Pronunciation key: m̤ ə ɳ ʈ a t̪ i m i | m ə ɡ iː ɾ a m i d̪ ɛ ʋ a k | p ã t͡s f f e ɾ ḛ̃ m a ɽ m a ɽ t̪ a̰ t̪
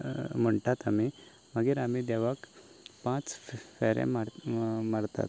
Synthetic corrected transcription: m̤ ə ɳ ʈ a t̪ a m i | m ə ɡ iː ɾ a m i d̪ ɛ ʋ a k | p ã t͡s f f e ɾ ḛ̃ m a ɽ m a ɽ t̪ a̰ t̪

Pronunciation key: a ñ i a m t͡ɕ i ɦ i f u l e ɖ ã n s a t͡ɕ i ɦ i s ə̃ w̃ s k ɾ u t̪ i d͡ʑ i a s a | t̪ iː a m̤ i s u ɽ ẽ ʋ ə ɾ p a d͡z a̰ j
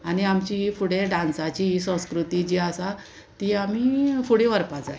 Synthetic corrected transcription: a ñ i a m t͡ɕ i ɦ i f u ɽ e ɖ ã n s a t͡ɕ i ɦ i s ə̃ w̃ s k ɾ u t̪ i d͡ʑ i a s a | t̪ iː a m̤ i f u ɽ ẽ ʋ ə ɾ p a d͡z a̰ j

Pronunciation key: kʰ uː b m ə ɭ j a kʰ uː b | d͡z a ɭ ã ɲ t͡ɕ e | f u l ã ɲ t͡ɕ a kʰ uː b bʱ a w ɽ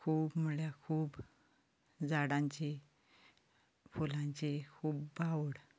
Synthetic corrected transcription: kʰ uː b m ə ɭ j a kʰ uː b | d͡z a ɽ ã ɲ t͡ɕ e | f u l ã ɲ t͡ɕ e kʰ uː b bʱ a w ɽ

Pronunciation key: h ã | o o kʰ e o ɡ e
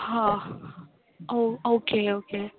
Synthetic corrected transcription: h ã | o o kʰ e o k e

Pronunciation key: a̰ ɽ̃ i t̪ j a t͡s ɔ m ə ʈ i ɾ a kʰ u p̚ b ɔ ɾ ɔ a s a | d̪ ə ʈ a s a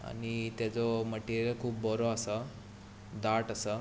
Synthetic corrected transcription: a̰ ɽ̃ i t̪ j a t͡s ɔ m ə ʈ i ɾ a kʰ uː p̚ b ɔ ɾ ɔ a s a | d̪ a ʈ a s a

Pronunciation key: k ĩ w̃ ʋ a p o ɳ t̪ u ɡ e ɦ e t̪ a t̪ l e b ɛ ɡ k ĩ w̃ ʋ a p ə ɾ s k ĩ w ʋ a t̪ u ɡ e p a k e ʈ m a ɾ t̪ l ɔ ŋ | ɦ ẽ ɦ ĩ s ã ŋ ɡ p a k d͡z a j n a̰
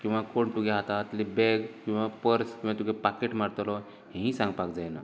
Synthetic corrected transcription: k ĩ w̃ ʋ a k o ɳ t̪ u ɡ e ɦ a t̪ a t̪ l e b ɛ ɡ k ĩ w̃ ʋ a p ə ɾ s k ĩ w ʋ a t̪ u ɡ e p a k e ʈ m a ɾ t̪ l ɔ | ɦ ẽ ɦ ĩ s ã ŋ ɡ p a k d͡z a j n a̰

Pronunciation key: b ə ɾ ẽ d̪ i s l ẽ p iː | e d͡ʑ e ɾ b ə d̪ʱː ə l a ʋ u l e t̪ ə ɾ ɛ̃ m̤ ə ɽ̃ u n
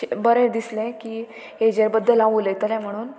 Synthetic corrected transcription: b ə ɾ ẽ d̪ i s l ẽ k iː | e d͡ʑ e ɾ b ə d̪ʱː ə l a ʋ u l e t̪ ə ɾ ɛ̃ m̤ ə ɽ̃ uː n

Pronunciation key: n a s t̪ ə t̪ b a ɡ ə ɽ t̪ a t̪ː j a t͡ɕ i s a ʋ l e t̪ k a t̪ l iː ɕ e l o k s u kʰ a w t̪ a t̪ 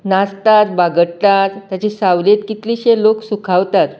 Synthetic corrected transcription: n a s t̪ a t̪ b a ɡ ə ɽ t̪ a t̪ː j a t͡ɕ i s a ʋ l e t̪ k i t̪ l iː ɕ e l o k s u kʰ a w t̪ a t̪

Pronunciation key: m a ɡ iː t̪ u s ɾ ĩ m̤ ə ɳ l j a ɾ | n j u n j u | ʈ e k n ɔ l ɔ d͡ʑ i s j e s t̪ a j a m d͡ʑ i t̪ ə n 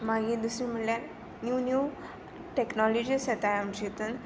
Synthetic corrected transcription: m a ɡ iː d̪ u s ɾ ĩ m̤ ə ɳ l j a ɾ | n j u n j u | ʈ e k n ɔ l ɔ d͡ʑ i s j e t̪ a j a m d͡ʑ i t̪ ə n

